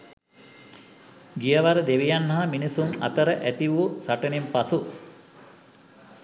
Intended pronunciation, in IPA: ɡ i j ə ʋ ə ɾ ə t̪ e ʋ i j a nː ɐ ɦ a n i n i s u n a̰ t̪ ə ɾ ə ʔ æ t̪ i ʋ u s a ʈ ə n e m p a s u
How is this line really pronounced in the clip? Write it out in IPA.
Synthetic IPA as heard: ɡ i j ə ʋ a ɾ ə d̪ e ʋ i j a nː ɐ ɦ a m i n i s u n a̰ t̪ ə ɾ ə ʔ æ t̪ i ʋ u s a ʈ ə n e m p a s u